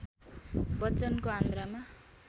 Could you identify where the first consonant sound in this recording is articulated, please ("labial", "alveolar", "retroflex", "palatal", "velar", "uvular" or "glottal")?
labial